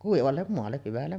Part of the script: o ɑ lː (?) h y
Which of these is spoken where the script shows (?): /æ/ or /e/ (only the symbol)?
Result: e